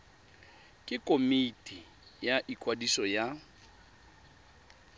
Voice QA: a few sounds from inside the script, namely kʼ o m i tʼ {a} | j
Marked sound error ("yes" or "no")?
yes